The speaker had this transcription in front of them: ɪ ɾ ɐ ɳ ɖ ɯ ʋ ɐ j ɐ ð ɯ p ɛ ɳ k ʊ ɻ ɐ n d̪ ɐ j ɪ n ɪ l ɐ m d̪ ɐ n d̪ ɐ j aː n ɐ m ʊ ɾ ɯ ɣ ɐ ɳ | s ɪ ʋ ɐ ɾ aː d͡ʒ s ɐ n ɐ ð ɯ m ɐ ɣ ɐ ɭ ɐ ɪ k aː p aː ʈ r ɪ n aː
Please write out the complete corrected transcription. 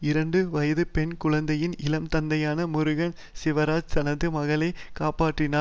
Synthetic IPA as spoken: ɪ ɾ ɐ ɳ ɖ ɯ ʋ ɐ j ɐ ð ɯ p ɛ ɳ k ʊ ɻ ɐ n d̪ ɐ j ɪ n ɪ l ɐ m t̪ ɐ n d̪ ɐ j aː n ɐ m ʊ ɾ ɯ ɣ ɐ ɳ | s ɪ ʋ ɐ ɾ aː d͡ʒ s ɐ n ɐ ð ɯ m ɐ ɣ ɐ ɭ ɐ ɪ k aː p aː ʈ r ɪ n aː